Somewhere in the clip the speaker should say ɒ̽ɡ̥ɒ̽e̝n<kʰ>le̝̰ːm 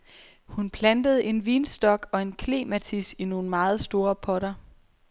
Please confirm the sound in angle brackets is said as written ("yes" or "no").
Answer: yes